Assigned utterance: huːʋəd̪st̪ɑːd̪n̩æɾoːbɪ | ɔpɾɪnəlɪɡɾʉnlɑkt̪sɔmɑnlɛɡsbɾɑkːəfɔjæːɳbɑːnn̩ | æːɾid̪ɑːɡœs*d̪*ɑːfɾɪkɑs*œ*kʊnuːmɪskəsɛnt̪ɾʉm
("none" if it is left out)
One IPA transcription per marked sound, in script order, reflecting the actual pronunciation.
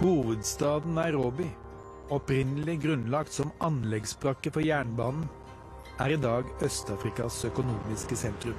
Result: t̪, œ

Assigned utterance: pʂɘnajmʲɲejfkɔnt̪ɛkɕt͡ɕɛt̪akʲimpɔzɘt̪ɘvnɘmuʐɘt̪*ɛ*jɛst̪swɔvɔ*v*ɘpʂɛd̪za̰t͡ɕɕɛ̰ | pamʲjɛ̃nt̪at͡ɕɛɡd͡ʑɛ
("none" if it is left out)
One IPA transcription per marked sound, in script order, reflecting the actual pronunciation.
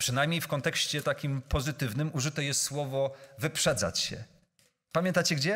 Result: ɛ, v

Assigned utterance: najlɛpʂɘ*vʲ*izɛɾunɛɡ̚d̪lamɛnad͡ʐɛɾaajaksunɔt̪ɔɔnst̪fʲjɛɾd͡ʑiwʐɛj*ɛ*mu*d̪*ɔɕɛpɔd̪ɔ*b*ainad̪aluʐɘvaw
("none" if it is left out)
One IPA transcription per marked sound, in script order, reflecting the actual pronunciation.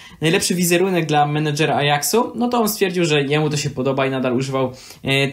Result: vʲ, ɛ, t̪, b

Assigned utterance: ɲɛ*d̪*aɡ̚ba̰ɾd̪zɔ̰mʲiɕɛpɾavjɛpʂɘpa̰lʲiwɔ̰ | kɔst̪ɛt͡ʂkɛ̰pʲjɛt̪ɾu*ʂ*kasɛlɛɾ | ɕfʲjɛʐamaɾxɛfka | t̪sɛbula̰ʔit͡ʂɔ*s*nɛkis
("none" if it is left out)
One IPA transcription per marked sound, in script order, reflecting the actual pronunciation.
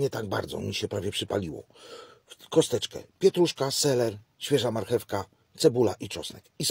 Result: t̪, ʂ, s

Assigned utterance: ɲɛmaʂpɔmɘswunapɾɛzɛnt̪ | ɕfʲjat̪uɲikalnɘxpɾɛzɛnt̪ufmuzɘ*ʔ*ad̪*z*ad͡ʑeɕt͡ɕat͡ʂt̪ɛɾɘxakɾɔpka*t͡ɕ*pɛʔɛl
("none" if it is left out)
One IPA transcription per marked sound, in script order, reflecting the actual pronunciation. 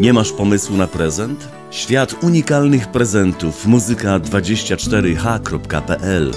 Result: k, v, none

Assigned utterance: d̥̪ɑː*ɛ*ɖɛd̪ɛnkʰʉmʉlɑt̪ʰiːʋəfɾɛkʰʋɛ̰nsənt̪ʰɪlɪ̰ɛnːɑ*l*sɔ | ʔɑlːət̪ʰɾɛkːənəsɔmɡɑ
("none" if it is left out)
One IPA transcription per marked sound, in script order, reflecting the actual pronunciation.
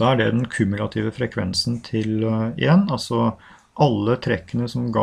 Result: æ, l

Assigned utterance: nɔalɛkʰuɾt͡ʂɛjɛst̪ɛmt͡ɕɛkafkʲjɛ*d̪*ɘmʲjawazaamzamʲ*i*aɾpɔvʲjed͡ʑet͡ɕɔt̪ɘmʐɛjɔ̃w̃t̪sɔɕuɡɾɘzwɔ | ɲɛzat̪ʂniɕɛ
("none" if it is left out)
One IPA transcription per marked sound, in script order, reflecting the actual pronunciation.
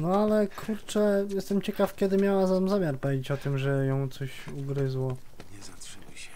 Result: d̪, j

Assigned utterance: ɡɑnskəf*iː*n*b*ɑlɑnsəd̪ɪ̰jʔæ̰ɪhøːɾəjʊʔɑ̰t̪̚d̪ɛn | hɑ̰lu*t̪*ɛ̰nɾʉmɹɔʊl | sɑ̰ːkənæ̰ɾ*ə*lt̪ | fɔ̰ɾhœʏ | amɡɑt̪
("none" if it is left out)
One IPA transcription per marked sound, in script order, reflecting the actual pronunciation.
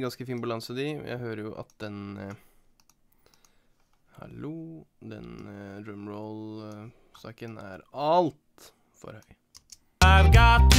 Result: iː, b, d̪, ɑ

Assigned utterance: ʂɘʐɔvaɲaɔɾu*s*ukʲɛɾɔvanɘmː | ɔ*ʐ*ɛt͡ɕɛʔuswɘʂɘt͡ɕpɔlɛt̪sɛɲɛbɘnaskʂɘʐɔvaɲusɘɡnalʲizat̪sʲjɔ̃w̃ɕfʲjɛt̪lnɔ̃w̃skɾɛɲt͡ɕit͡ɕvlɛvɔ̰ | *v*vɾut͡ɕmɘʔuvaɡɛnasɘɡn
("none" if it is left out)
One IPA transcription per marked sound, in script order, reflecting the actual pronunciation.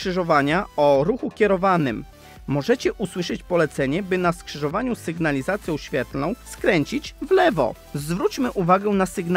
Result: x, ʐ, z

